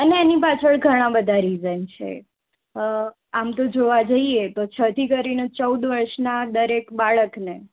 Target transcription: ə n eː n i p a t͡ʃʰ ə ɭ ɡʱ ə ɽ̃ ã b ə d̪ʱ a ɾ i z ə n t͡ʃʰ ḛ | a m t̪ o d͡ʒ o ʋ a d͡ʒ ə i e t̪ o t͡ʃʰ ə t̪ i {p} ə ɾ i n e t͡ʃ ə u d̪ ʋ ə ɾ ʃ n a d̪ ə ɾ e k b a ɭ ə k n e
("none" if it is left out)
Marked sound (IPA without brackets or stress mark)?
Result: k